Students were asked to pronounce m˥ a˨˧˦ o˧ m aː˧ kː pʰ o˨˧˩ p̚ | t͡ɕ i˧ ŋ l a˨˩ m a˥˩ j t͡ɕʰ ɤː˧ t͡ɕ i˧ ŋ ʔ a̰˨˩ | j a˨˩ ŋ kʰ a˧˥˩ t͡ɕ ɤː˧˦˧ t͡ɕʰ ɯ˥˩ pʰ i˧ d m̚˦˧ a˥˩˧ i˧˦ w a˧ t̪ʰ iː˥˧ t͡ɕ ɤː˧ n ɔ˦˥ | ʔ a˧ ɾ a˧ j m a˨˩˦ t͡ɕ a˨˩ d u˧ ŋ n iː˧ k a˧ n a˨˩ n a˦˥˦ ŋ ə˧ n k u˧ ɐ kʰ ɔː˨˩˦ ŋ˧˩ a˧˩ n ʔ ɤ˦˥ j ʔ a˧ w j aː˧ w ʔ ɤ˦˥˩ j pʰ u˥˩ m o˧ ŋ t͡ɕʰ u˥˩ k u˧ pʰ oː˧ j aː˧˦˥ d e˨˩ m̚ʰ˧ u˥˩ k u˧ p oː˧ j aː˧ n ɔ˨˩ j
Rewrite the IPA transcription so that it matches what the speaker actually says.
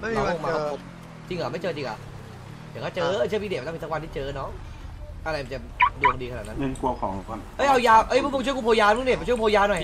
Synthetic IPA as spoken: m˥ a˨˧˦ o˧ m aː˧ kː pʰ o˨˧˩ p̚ | t͡ɕ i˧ ŋ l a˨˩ m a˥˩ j t͡ɕ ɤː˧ t͡ɕ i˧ ŋ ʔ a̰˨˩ | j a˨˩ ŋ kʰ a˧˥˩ t͡ɕ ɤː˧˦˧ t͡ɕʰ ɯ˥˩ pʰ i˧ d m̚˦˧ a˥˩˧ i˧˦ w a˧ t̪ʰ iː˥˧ t͡ɕ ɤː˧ n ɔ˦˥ | ʔ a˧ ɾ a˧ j m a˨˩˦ t͡ɕ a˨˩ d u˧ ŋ d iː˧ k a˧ n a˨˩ n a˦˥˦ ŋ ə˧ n k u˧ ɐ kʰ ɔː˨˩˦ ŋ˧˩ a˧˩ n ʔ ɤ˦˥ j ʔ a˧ w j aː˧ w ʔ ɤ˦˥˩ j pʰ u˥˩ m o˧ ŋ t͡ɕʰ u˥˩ k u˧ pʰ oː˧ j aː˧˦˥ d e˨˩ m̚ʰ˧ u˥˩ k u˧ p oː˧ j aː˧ n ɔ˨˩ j

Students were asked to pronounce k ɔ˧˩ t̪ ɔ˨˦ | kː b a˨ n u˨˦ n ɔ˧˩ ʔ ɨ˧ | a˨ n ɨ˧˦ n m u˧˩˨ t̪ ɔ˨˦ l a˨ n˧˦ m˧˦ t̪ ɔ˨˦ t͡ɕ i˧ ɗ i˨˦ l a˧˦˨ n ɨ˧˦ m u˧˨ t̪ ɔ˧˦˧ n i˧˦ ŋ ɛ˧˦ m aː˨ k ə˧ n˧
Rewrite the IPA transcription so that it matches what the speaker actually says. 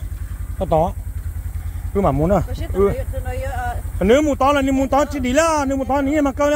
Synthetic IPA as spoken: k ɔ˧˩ t̪ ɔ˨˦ | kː m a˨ m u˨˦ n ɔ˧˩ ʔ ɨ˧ | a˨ n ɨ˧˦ m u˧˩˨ t̪ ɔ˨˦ l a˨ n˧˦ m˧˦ t̪ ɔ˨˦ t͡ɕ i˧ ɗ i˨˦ l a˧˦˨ n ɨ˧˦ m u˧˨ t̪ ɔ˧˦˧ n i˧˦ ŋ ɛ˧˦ m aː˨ k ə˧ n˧

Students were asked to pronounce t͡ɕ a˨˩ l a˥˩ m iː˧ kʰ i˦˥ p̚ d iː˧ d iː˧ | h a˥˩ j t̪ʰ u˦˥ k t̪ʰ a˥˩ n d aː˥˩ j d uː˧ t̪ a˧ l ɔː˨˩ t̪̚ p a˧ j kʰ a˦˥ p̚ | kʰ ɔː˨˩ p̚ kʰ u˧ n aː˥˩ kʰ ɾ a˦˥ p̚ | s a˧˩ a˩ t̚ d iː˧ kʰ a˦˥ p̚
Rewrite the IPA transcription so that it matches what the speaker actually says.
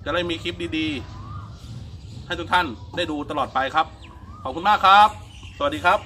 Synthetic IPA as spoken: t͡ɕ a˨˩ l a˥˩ m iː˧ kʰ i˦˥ p̚ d iː˧ d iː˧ | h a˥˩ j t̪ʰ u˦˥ k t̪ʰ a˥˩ n d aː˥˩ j d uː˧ t̪ a˧ l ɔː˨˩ t̪̚ p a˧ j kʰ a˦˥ p̚ | kʰ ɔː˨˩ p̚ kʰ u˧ m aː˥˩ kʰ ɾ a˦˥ p̚ | s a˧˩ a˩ t̚ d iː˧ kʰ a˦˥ p̚

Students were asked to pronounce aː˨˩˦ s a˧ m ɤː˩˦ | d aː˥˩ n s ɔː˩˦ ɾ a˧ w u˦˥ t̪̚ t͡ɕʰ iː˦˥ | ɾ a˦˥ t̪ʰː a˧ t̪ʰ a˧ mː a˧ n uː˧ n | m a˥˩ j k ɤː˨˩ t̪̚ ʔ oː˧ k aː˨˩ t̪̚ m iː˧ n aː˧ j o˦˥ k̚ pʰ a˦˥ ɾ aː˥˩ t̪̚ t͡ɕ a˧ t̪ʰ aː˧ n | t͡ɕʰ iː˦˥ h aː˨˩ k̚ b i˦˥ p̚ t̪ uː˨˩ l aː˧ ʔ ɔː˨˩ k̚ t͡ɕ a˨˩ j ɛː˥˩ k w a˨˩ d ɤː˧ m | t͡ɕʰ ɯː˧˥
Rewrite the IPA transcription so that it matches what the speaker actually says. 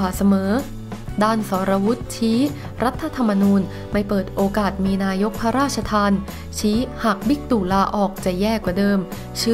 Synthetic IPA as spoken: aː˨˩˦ s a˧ m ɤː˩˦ | d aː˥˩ n s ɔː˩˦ ɾ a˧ w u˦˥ t̪̚ t͡ɕʰ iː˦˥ | ɾ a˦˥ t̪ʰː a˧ t̪ʰ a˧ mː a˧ n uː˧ n | m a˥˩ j p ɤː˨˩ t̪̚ ʔ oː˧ k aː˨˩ t̪̚ m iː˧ n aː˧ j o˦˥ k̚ pʰ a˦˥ ɾ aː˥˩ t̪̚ t͡ɕʰ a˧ t̪ʰ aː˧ n | t͡ɕʰ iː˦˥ h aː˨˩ k̚ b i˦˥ k̚ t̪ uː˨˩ l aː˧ ʔ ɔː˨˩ k̚ t͡ɕ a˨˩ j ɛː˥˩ k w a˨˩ d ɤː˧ m | t͡ɕʰ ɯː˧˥

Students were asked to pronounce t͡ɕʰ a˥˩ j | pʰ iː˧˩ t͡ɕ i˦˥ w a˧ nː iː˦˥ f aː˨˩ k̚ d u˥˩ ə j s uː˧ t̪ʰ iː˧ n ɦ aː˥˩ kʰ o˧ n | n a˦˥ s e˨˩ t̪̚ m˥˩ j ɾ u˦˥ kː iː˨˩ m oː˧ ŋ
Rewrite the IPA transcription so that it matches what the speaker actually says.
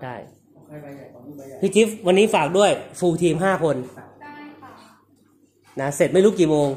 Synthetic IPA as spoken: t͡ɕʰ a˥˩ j | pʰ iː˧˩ t͡ɕ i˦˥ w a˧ nː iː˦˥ f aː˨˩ k̚ d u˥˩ ə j f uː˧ t̪ʰ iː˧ m ɦ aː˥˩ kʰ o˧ n | n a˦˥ s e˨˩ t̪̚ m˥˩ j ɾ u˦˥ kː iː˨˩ m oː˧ ŋ

